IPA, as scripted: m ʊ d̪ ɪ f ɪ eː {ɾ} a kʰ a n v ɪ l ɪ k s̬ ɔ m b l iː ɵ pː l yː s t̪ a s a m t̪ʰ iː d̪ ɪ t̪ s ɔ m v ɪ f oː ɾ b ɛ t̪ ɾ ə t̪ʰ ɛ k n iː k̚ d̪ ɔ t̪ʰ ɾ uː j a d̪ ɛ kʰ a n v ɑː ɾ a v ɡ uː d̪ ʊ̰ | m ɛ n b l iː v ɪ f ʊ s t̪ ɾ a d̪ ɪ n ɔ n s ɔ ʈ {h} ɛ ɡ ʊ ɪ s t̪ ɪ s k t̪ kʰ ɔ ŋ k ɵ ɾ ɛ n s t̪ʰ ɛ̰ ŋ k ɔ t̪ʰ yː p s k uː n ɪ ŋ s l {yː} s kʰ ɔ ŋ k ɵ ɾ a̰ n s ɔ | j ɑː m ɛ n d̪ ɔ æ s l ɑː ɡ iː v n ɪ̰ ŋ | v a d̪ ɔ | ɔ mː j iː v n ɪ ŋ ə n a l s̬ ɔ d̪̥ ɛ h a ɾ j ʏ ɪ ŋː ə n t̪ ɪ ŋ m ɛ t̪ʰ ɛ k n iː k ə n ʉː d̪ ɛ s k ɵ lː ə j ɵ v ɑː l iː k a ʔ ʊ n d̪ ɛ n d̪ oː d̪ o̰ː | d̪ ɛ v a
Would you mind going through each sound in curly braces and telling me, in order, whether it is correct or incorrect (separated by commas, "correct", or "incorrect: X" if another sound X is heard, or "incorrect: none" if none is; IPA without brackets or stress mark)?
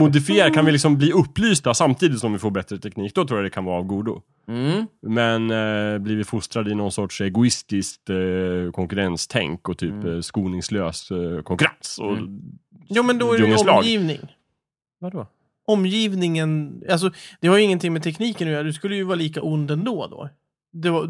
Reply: correct, incorrect: ʂ, incorrect: øː